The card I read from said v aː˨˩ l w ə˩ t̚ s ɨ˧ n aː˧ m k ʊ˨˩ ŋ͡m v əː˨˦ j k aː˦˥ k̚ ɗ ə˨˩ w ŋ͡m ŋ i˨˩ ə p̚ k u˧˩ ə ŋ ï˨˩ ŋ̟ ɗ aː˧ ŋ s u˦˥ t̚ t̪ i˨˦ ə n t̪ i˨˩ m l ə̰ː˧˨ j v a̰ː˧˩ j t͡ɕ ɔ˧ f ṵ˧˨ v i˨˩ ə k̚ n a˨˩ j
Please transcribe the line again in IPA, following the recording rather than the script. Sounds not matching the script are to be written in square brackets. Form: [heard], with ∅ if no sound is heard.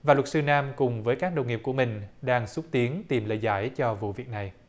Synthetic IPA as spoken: v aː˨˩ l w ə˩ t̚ s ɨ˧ n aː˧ m k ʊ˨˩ ŋ͡m v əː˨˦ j k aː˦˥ k̚ ɗ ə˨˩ w ŋ͡m ŋ i˨˩ ə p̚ k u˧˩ ə [m] ï˨˩ ŋ̟ ɗ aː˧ ŋ s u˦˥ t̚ t̪ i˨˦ ə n t̪ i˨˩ m l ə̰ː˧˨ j [z] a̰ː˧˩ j t͡ɕ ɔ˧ [v] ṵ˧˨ v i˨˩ ə k̚ n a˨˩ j